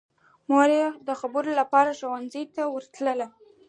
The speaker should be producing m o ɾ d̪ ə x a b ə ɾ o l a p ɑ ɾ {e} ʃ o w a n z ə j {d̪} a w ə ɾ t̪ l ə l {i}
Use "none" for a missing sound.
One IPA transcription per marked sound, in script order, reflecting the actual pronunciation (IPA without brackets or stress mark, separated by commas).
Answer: a, t̪, a